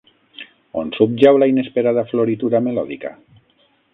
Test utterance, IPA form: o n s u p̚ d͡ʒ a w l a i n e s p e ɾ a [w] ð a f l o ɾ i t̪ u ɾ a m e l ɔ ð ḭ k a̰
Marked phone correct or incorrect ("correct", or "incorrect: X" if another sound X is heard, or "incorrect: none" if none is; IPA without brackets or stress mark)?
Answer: incorrect: none